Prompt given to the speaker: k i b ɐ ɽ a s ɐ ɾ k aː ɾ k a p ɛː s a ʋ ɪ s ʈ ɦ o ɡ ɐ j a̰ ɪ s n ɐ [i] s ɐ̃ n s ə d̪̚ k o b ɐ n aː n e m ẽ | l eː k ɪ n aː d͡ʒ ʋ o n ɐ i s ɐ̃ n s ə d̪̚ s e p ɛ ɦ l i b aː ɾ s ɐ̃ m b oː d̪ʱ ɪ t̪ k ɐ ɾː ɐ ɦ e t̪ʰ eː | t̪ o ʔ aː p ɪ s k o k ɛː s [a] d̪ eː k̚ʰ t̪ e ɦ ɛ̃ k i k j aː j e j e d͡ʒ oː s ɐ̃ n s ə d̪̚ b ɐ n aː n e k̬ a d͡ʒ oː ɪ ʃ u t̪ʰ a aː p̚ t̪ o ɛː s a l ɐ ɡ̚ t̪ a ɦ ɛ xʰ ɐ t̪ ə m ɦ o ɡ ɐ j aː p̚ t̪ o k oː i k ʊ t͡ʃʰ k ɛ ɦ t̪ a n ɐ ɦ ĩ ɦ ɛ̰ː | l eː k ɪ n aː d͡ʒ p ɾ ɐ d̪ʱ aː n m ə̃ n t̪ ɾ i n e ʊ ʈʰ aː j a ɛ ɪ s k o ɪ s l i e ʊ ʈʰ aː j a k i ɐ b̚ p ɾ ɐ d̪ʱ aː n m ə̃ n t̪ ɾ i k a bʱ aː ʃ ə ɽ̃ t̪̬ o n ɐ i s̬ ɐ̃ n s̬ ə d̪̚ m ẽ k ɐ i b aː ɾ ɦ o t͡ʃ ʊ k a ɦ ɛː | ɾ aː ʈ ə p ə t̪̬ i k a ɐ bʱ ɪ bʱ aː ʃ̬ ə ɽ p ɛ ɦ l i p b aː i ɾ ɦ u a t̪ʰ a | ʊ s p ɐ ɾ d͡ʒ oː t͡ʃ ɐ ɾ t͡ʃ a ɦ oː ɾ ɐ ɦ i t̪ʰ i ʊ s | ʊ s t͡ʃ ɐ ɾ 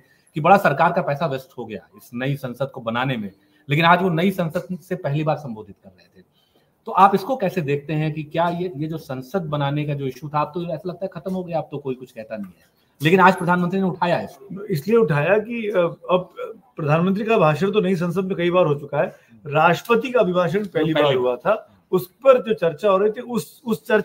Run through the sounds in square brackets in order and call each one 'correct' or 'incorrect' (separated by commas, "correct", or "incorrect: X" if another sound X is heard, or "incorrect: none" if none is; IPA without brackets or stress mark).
correct, incorrect: e